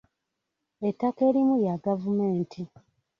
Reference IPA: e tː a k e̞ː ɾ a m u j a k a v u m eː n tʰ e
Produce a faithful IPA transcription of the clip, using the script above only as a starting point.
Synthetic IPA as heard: e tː a k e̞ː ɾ i m u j a ɡ a v u m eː n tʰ i